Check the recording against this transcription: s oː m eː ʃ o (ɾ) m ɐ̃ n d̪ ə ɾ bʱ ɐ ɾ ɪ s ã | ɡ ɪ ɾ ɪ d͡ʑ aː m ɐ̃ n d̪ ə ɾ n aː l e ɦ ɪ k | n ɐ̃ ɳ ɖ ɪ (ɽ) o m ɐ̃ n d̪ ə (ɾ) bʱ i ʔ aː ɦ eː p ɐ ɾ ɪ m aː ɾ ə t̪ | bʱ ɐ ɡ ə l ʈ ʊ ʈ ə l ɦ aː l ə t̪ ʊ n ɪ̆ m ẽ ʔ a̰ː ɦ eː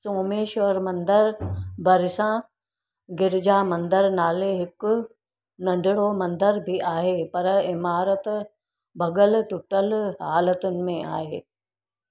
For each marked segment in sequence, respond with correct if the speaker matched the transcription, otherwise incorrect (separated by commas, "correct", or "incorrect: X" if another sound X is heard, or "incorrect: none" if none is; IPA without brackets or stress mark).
correct, correct, correct